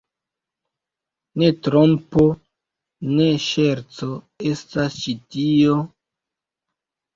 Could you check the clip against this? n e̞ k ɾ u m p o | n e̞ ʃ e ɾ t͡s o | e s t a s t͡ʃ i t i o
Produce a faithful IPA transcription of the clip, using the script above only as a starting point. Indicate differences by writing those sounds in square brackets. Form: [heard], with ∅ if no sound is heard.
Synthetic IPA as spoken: n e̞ [t] ɾ [o] m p o | n e̞ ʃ e ɾ t͡s o | e s t a s t͡ʃ i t i o